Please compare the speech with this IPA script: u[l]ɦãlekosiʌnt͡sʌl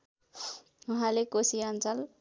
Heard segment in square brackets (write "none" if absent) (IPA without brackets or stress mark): none